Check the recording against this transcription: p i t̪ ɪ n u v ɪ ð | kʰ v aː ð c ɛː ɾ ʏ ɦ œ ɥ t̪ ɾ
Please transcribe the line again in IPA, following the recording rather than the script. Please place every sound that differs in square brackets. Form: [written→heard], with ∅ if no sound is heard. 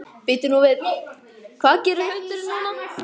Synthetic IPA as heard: p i t̪ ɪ n u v ɪ ð | kʰ v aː ð c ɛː ɾ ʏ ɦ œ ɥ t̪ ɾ